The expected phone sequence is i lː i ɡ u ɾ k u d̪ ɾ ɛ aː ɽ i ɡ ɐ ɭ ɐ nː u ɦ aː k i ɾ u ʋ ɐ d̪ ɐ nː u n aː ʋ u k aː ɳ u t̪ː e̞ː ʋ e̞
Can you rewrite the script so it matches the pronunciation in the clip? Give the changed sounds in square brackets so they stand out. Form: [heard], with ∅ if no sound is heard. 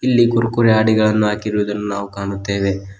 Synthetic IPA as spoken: i lː i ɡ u ɾ k u [∅] ɾ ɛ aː ɽ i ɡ ɐ ɭ ɐ nː u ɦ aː k i ɾ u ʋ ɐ d̪ ɐ nː u n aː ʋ u k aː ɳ u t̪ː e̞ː ʋ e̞